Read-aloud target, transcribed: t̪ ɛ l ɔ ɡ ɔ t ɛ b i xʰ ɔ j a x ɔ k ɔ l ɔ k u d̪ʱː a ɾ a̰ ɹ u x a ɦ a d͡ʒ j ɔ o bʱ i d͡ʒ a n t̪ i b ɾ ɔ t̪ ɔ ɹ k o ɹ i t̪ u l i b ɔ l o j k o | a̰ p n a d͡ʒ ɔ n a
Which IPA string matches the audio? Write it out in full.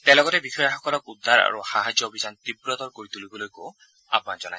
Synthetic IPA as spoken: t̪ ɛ l ɔ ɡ ɔ t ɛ b i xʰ ɔ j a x ɔ k ɔ l ɔ k u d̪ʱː a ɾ a̰ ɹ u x a ɦ a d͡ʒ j ɔ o bʱ i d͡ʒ a n t̪ i b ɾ ɔ t̪ ɔ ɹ k o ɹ i t̪ u l i b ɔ l o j k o | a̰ p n a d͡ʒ ɔ n a